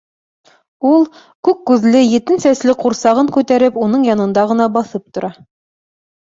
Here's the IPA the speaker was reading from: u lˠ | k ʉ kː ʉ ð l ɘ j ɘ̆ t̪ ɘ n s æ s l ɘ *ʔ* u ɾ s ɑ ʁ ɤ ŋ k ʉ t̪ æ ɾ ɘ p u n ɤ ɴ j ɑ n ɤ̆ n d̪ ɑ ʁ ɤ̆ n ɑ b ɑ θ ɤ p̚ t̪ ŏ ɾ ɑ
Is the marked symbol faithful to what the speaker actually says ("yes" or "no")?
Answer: no